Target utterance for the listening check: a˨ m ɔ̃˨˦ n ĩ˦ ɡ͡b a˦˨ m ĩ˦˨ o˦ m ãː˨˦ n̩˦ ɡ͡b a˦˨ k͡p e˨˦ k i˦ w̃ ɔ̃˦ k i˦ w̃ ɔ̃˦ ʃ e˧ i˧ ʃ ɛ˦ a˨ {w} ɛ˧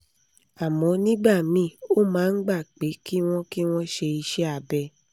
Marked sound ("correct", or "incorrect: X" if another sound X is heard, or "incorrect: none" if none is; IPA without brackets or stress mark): incorrect: b